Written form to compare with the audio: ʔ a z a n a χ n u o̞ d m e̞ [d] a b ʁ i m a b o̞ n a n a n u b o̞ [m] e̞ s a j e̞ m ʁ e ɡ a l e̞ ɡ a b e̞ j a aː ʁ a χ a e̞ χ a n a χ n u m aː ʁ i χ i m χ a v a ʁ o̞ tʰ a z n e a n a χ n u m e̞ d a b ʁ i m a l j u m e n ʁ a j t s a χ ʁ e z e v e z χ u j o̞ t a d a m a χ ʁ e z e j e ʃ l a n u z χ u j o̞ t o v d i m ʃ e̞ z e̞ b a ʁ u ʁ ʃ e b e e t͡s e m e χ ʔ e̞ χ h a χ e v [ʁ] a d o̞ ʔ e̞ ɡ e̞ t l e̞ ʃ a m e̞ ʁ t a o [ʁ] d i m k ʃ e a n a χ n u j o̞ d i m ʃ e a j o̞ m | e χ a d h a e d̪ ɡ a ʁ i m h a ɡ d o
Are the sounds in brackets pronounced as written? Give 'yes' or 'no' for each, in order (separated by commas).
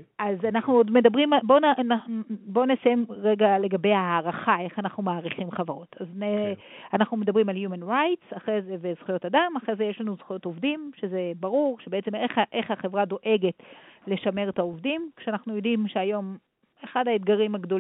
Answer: yes, no, yes, no